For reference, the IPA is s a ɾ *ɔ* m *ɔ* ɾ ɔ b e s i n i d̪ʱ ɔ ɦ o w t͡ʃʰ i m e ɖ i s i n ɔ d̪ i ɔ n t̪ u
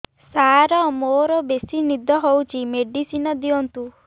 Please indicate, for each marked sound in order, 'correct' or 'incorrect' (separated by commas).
correct, incorrect